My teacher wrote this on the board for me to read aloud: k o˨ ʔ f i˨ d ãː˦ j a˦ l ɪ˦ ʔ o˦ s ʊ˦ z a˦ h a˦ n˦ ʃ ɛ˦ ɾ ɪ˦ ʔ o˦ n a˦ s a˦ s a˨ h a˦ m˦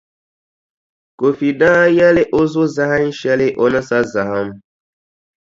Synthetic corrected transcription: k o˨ f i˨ d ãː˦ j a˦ l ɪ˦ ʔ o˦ z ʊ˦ z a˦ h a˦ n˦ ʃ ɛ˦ l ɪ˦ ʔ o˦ n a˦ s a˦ z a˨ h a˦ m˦